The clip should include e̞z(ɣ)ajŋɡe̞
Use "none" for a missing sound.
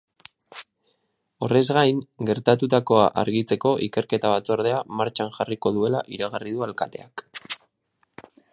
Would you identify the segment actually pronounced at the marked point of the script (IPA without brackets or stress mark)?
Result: ɣ